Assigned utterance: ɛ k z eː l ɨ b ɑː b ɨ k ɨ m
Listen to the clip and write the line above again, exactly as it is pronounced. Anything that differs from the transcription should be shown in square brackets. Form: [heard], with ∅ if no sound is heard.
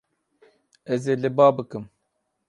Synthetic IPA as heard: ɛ [∅] z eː l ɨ b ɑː b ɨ k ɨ m